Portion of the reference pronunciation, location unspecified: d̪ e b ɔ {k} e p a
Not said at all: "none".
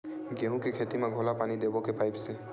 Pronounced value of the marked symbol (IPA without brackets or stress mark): k